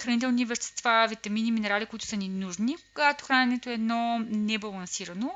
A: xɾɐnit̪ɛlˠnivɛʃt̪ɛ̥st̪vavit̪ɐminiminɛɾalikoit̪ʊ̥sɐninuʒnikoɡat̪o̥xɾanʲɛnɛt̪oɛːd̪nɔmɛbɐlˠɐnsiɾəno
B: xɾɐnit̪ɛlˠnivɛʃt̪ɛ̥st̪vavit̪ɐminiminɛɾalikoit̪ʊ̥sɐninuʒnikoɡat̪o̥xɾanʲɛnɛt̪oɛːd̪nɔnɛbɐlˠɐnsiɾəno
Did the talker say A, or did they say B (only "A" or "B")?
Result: B